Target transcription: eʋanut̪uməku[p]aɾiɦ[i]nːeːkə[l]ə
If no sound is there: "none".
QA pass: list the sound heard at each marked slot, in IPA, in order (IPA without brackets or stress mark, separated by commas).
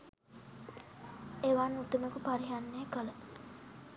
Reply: p, a, l